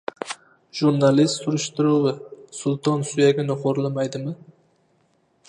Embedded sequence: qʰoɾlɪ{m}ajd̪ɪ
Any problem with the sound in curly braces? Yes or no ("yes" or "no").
no